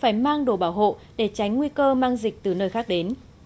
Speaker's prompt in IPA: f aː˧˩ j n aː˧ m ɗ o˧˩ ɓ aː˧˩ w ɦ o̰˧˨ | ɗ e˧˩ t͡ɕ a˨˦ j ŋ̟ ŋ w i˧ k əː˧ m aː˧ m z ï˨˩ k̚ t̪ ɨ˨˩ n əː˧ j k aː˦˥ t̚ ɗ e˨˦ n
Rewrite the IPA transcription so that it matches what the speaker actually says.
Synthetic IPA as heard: f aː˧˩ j m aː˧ ŋ ɗ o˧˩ ɓ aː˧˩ w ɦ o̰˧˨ | ɗ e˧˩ t͡ɕ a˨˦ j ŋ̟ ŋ w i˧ k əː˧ m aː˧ ŋ z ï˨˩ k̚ t̪ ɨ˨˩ n əː˧ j x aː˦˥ k̚ ɗ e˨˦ n